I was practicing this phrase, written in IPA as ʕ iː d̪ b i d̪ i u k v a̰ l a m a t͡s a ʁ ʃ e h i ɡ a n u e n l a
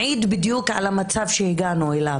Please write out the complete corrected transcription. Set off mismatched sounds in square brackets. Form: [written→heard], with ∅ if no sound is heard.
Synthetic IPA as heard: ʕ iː d̪ b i d̪ [i→j] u k [v→ʕ] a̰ l a m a t͡s a [ʁ→v] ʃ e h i ɡ a n u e [n→∅] l a